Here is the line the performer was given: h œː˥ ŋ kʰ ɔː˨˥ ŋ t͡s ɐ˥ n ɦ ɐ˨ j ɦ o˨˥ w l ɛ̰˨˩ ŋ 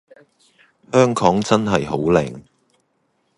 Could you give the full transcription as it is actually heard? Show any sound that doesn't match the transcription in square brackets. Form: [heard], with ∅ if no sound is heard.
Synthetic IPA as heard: h œː˥ ŋ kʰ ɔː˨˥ ŋ t͡s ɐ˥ n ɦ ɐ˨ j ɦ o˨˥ w l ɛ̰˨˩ ŋ